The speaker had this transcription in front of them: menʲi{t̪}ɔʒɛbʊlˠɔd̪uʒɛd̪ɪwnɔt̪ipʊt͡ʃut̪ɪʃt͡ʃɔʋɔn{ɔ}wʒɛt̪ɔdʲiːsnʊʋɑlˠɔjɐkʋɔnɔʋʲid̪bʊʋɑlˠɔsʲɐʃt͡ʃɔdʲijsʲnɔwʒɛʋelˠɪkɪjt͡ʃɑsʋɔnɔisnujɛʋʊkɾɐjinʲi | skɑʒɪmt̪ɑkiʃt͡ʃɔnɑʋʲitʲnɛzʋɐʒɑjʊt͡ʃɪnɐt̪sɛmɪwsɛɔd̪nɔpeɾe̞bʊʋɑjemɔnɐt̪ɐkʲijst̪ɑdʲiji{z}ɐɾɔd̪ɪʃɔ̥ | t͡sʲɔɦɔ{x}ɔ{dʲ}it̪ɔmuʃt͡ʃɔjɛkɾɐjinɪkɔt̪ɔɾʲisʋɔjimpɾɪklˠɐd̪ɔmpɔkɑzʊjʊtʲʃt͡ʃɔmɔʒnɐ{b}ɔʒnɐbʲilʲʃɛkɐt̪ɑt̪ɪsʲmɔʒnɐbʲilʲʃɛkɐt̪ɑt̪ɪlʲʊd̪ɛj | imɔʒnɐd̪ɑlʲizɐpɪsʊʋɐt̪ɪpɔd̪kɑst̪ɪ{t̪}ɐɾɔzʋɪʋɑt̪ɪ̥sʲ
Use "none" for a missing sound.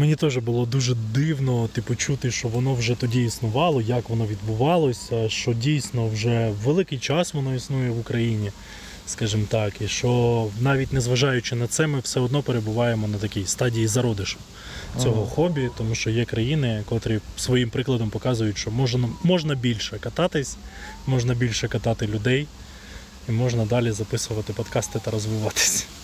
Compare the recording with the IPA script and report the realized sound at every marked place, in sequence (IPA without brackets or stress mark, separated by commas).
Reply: t̪, ɔ, z, x, bʲ, m, t̪